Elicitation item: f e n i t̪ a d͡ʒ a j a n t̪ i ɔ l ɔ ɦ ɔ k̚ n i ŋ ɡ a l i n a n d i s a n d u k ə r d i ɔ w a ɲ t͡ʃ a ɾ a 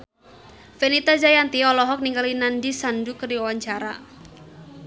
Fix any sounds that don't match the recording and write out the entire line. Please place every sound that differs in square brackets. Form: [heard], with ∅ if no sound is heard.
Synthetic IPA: f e n i t̪ a d͡ʒ a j a n t̪ i ɔ l ɔ ɦ ɔ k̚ n i ŋ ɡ a l i n a n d i s a n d u k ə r d i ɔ w a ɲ t͡ʃ a ɾ a